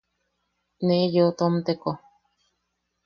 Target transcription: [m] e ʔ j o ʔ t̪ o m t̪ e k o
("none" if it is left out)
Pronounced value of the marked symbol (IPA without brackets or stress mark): n